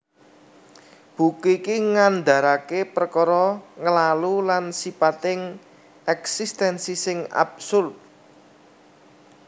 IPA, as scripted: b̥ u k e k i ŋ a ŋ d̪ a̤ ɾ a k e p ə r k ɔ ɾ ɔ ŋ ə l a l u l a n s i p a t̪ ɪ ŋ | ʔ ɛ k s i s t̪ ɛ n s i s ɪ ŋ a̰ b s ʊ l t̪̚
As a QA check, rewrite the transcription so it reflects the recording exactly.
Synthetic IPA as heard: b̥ u k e k i ŋ a n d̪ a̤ ɾ a k e p ə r k ɔ ɾ ɔ ŋ ə l a l u l a n s i p a t̪ ɪ ŋ | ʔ ɛ k s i s t̪ ɛ n s i s ɪ ŋ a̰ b s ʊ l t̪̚

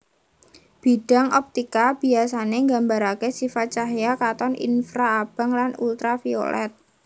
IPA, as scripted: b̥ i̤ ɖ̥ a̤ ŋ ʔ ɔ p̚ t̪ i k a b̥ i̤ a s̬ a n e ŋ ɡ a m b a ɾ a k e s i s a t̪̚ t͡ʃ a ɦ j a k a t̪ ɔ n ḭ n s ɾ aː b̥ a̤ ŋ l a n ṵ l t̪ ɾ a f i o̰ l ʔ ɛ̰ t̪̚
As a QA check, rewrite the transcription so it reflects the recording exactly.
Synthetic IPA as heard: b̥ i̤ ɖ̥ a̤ ŋ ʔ ɔ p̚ t̪ i k a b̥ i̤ a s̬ a n e ŋ ɡ a m b a ɾ a k e s i f a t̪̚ t͡ʃ a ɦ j a k a t̪ ɔ n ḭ n f ɾ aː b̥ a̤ ŋ l a n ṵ l t̪ ɾ a f i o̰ l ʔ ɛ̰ t̪̚

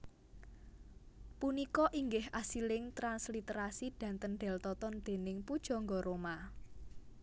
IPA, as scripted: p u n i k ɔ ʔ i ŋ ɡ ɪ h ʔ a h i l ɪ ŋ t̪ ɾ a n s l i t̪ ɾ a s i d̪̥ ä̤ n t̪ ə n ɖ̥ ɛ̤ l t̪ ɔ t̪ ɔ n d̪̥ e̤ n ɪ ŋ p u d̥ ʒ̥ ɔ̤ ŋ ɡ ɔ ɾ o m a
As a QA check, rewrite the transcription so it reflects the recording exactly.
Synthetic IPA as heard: p u n i k ɔ ʔ i ŋ ɡ ɪ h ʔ a s i l ɪ ŋ t̪ ɾ a n s l i t̪ ɾ a s i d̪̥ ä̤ n t̪ ə n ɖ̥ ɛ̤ l t̪ ɔ t̪ ɔ n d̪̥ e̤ n ɪ ŋ p u d̥ ʒ̥ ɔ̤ ŋ ɡ ɔ ɾ o m a

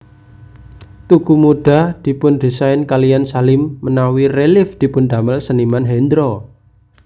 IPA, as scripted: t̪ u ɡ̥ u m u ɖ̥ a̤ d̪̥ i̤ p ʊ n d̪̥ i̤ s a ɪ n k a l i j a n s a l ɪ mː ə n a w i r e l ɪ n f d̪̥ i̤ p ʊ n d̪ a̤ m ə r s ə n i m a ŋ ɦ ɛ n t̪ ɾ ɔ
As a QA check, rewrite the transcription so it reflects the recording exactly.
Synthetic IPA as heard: t̪ u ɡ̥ u m u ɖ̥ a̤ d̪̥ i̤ p ʊ n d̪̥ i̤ s a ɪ n k a l i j a n s a l ɪ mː ə n a w i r e l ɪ f d̪̥ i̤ p ʊ n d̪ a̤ m ə l s ə n i m a n ɦ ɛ n d̪ ɾ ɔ

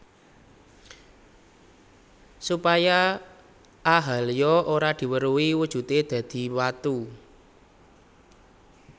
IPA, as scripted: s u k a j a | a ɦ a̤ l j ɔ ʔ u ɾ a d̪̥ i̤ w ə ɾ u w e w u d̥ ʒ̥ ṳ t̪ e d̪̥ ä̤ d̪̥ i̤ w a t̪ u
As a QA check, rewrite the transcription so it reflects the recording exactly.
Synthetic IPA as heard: s u p a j a | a ɦ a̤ l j ɔ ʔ o ɾ a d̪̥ i̤ w ə ɾ u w i w u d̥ ʒ̥ ṳ t̪ e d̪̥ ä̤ d̪̥ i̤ w a t̪ u

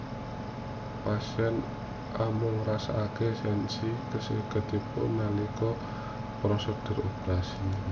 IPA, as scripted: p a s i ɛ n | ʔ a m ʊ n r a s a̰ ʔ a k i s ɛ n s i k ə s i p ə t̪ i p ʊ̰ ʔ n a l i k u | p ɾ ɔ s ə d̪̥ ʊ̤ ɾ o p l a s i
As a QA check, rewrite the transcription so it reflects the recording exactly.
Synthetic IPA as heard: p a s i ɛ n | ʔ a m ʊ ŋ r a s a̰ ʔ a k e s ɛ n s i k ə s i k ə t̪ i p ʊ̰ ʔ n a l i k ɔ | p ɾ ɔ s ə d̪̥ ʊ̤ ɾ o p ɾ a s i

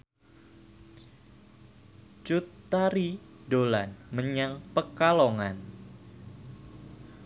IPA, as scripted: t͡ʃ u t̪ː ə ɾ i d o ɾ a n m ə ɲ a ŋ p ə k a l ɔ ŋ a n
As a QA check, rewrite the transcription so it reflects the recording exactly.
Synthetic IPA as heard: t͡ʃ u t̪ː a ɾ i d o l a n m ə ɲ a ŋ p ə k a l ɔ ŋ a n

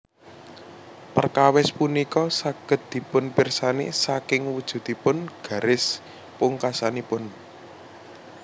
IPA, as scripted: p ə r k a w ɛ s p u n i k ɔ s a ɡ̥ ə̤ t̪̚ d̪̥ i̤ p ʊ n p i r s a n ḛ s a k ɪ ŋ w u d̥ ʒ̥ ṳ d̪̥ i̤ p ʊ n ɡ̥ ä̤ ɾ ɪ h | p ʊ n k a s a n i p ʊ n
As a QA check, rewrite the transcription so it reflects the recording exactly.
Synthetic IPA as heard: p ə r k a w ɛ s p u n i k ɔ s a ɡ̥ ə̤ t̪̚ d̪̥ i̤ p ʊ n p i r s a n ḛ s a k ɪ ŋ w u d̥ ʒ̥ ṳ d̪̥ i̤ p ʊ n ɡ̥ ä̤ ɾ ɪ s | p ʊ ŋ k a s a n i p ʊ n

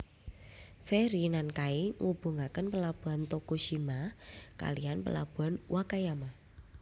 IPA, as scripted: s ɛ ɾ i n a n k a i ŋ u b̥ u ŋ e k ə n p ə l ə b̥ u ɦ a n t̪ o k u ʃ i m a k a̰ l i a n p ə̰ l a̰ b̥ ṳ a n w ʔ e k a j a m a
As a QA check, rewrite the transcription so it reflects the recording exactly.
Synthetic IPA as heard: f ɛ ɾ i n a n k a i ŋ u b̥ u ŋ a k ə n p ə l a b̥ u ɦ a n t̪ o k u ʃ i m a k a̰ l i a n p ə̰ l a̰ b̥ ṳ a n w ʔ a k a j a m a

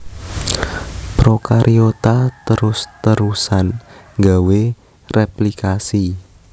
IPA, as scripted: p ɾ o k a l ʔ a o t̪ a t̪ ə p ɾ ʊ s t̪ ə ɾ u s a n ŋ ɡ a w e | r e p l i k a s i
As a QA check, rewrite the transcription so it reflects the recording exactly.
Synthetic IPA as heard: p ɾ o k a ɾ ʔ i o t̪ a t̪ ə ɾ ʊ s t̪ ə ɾ u s a n ŋ ɡ a w e | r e p l i k a s i

